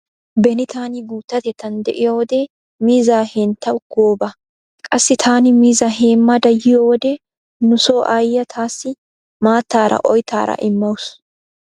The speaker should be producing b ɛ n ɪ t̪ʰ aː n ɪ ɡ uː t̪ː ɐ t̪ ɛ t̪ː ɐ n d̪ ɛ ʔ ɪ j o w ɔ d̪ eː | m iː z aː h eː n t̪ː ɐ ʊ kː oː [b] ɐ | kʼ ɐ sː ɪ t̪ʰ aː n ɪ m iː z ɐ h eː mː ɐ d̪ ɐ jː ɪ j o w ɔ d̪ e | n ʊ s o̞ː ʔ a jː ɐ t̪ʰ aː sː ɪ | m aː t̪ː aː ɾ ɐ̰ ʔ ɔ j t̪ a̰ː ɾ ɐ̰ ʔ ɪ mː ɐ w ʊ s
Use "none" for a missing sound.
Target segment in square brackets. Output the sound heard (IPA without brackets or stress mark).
b